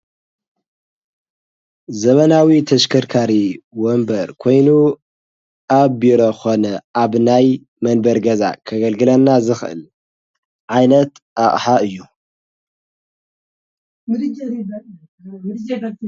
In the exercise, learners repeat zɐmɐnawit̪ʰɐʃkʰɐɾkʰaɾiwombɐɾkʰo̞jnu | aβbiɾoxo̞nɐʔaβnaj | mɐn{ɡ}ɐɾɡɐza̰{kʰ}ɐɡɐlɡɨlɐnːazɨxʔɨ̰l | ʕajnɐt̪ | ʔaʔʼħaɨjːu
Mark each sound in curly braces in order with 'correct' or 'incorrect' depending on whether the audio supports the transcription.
incorrect: b, correct

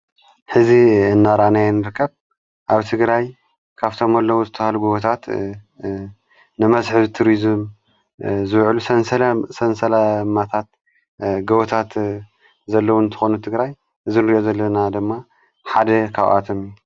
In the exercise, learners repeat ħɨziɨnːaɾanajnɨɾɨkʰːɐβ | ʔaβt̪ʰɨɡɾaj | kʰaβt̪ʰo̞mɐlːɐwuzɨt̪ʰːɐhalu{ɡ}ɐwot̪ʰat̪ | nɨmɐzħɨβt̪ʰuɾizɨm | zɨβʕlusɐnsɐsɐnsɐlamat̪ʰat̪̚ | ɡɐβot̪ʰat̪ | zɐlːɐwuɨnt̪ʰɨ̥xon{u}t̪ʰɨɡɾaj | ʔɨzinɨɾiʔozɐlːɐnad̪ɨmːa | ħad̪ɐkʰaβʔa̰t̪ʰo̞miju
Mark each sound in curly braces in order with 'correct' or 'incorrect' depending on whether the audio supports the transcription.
correct, correct

